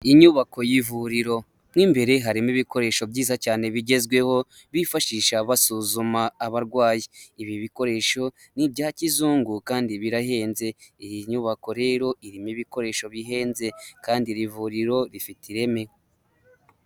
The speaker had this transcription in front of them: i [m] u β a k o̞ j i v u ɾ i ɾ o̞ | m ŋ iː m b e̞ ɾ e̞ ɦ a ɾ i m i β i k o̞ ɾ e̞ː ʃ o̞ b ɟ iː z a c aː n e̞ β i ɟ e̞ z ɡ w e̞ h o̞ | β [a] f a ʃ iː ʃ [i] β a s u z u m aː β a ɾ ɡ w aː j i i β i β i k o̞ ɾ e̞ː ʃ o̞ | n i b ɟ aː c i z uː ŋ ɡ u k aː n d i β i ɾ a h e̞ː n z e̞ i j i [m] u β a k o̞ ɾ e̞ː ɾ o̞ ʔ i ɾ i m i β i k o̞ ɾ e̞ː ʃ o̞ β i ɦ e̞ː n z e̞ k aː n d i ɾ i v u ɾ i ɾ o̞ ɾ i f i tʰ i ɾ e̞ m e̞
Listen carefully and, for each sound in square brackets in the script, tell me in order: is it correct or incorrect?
incorrect: ɲ, incorrect: i, incorrect: a, incorrect: ɲ

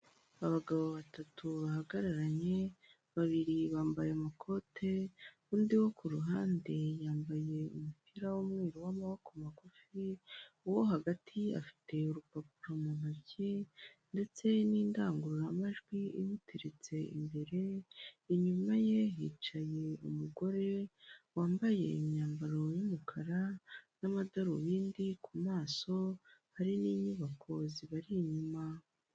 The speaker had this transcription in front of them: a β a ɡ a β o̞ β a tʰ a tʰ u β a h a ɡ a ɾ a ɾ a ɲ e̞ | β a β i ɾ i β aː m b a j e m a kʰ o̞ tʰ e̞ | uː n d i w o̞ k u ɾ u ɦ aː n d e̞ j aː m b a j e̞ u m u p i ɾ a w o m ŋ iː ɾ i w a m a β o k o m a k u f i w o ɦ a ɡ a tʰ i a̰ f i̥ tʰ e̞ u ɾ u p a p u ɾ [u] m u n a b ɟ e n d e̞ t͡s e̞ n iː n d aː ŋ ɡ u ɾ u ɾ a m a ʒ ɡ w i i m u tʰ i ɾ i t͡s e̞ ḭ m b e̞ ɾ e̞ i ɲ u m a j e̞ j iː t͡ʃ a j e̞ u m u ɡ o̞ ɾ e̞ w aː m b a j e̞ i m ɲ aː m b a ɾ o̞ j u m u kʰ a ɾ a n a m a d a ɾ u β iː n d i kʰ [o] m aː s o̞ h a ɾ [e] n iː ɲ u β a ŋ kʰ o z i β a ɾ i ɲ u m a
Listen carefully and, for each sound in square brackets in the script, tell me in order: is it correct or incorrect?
incorrect: o, incorrect: u, incorrect: i

